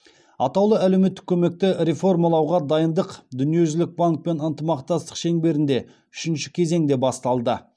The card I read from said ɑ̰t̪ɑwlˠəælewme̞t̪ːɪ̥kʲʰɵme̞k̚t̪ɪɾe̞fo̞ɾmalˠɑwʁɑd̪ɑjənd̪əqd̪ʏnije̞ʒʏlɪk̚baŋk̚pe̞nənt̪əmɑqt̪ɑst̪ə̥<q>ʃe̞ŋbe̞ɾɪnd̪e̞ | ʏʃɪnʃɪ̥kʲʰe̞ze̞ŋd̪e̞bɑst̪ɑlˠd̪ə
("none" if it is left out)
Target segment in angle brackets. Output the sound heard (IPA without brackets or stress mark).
q